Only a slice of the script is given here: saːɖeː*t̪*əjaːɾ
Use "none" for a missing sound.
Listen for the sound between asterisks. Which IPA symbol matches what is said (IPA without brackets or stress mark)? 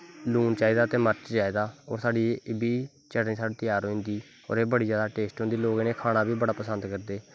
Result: t̪